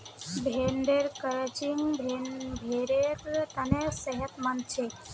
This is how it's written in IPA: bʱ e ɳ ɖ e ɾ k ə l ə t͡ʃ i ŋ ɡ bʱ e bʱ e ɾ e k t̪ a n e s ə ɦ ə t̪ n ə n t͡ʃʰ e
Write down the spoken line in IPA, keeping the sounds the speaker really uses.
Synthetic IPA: bʱ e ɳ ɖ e ɾ k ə ɾ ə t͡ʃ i ŋ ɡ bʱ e bʱ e ɾ e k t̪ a n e s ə ɦ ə t̪ m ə n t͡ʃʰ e